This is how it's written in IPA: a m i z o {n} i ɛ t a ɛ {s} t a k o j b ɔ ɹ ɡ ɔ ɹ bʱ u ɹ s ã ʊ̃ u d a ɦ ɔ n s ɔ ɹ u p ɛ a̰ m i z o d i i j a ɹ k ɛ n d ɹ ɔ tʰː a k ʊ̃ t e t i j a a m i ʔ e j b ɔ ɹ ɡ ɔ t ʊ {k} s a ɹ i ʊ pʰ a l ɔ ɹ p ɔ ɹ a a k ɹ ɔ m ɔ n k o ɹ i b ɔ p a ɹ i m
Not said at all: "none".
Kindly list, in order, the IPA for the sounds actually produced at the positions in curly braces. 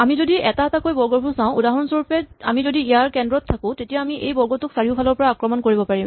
d, none, k

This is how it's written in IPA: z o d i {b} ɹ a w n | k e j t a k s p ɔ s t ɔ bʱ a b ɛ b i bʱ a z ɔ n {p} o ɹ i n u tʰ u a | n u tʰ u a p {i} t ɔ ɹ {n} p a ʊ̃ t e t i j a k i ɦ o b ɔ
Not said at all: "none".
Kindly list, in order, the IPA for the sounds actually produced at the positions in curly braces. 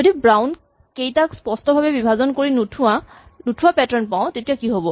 b, k, ɛ, n

